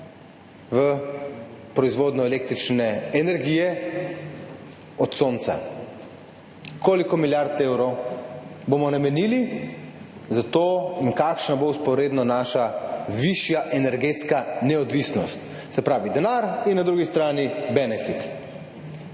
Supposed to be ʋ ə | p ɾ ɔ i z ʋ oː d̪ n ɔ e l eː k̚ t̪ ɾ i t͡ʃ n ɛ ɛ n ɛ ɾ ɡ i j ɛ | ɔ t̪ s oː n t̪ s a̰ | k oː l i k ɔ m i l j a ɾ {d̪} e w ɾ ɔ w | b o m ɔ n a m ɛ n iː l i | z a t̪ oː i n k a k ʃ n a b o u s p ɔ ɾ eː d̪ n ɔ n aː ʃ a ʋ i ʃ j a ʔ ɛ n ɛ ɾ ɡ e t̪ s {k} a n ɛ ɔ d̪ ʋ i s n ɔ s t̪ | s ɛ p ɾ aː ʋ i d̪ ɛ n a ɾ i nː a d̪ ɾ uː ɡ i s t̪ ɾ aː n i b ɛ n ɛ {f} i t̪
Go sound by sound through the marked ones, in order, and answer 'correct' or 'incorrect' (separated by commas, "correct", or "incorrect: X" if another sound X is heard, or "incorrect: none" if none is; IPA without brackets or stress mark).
incorrect: t̪, correct, correct